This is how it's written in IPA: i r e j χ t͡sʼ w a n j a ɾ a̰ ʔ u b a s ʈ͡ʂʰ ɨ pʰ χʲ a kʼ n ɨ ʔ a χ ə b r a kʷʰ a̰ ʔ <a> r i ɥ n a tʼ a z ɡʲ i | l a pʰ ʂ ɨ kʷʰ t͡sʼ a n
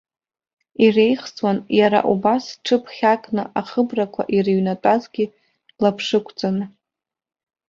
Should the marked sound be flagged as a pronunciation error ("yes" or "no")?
yes